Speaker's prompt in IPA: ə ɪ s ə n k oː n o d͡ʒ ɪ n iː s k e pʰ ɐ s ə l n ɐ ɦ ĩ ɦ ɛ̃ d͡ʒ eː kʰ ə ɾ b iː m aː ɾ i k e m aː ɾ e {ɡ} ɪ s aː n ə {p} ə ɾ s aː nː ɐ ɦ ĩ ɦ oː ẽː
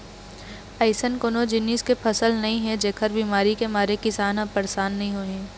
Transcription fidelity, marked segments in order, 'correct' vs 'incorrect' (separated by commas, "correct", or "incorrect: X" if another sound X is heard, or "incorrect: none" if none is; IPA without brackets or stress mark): incorrect: k, correct